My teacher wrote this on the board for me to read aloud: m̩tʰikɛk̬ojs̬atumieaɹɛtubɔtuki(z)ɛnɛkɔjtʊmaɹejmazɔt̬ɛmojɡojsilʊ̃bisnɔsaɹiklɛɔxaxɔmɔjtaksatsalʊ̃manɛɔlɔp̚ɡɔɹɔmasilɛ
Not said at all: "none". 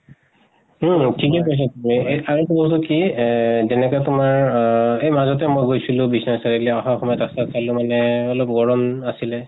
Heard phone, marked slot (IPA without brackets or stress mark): z